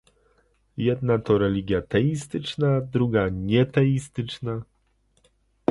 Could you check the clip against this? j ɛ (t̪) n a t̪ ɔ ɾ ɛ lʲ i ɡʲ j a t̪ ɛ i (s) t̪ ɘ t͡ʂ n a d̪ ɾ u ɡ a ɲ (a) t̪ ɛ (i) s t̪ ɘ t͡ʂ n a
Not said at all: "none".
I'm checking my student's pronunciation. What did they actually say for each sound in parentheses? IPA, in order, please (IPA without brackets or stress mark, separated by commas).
d̪, s, ɛ, i